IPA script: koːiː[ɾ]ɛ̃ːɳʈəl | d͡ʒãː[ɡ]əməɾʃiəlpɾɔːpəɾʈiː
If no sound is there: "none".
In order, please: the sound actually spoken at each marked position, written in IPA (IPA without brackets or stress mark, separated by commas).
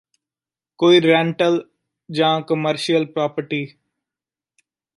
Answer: ɾ, k